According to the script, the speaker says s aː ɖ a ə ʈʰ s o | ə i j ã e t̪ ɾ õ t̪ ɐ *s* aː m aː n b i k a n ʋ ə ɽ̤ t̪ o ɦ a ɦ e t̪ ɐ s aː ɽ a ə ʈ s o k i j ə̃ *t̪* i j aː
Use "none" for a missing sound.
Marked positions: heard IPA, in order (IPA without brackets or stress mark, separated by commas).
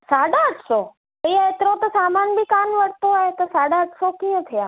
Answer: s, t̪ʰ